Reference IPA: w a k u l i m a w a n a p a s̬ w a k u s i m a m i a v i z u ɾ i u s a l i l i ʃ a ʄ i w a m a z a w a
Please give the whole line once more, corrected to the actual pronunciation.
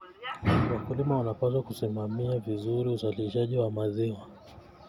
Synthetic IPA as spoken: w a k u l i m a w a n a p a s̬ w a k u s i m a m i a v i z u ɾ i u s a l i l i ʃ a ʄ i w a m a z i w a

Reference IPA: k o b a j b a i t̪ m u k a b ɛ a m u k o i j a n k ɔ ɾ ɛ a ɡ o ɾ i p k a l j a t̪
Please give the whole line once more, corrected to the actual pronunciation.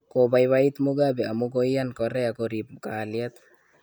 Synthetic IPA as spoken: k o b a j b a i t̪ m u ɡ a b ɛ a m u k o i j a n k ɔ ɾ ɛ a k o ɾ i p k a l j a t̪

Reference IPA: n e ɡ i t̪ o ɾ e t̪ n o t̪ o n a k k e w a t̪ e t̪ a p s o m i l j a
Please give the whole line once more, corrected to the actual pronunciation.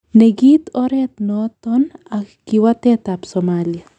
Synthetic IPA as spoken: n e ɡ i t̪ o ɾ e t̪ n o t̪ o n a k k i w a t̪ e t̪ a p s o m a l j a

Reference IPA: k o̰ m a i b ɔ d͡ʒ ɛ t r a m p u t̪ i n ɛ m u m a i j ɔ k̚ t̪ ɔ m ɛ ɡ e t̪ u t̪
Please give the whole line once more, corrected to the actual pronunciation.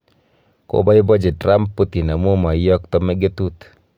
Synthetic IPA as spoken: k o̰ b a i b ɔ d͡ʒ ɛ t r a m p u t̪ i n a m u m a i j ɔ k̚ t̪ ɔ m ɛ ɡ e t̪ u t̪

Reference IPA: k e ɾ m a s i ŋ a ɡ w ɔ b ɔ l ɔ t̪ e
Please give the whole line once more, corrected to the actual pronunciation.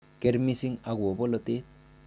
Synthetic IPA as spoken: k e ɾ m i s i ŋ a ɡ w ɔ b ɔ l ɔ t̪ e

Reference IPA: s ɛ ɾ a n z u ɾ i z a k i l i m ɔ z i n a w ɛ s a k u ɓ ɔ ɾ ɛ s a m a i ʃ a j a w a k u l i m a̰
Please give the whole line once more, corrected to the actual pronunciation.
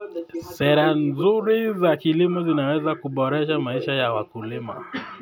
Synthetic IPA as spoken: s ɛ ɾ a n z u ɾ i z a k i l i m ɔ z i n a w ɛ z a k u ɓ ɔ ɾ ɛ ʃ a m a i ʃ a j a w a k u l i m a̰

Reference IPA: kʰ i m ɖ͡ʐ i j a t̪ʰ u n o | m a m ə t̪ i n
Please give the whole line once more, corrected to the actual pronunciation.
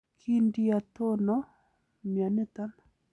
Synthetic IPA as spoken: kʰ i ɳ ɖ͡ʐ i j a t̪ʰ o n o | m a n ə t̪ a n

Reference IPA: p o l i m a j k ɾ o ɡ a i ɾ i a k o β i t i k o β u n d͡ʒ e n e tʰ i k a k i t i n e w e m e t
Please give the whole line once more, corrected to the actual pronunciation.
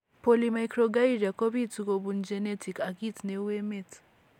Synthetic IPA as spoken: p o l i m a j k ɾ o ɡ a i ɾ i a k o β i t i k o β u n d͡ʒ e n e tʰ i k a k i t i n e w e m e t

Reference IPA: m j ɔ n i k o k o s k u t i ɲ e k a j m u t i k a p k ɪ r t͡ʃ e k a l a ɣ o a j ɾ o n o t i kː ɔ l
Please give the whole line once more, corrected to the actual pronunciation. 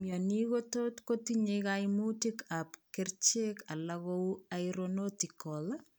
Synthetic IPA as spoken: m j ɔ n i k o t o t k o t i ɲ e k a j m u t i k a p k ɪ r t͡ʃ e k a l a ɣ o a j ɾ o n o t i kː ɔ l

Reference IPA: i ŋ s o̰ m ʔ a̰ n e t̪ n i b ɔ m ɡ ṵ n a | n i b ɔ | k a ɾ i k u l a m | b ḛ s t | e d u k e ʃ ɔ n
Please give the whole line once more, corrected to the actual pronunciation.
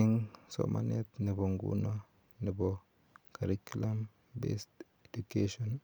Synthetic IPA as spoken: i ŋ s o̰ m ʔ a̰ n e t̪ n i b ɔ ŋ ɡ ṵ n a | n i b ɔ | k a ɾ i k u l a m | b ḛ s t | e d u k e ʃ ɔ n

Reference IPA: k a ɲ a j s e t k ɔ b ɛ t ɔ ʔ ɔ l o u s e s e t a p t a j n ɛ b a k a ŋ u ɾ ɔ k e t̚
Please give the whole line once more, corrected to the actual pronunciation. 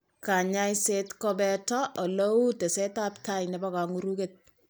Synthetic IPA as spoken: k a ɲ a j s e t k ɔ b ɛ t ɔ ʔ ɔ l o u t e s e t a p t a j n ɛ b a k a ŋ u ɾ u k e t̚

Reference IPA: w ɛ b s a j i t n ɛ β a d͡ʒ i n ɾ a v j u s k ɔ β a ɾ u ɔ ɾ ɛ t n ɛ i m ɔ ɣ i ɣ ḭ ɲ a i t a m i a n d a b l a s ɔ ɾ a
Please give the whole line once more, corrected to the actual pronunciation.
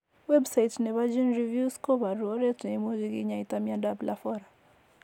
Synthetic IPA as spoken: w ɛ b s a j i t n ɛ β a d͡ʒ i n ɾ i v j u s k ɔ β a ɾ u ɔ ɾ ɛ t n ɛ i m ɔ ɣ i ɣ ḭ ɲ a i t a m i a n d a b l a f ɔ ɾ a

